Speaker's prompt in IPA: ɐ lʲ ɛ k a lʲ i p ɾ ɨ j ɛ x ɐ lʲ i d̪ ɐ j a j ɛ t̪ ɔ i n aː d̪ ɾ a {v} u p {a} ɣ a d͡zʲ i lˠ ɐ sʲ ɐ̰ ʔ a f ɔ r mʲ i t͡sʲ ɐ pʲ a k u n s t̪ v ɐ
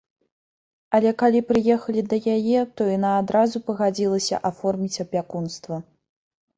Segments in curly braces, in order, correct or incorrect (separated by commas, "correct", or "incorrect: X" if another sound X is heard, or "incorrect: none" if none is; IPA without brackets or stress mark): incorrect: z, incorrect: ɐ